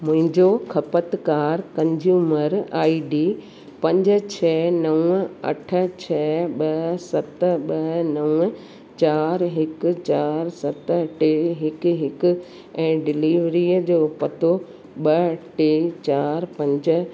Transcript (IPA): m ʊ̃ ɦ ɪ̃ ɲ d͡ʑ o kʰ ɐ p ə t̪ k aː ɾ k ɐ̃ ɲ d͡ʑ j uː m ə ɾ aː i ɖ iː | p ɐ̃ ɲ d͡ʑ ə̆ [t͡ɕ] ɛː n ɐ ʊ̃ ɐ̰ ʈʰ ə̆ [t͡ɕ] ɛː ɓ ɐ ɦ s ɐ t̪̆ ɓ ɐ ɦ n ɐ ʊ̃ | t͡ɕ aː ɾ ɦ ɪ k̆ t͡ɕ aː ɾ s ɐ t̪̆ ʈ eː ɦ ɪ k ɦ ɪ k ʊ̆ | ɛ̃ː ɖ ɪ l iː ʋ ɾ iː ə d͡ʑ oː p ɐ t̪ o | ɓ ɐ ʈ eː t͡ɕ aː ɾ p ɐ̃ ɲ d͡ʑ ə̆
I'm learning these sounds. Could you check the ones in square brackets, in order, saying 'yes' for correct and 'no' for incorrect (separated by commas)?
no, no